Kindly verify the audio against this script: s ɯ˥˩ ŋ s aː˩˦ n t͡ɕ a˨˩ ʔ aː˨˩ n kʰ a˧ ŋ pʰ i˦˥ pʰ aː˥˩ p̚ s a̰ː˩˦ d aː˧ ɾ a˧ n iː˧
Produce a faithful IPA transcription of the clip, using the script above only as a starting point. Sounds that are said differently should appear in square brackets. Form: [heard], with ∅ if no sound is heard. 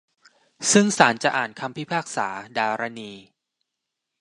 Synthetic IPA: s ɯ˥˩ ŋ s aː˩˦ n t͡ɕ a˨˩ ʔ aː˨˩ n kʰ a˧ [m] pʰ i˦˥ pʰ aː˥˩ [k̚] s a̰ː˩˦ d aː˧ ɾ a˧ n iː˧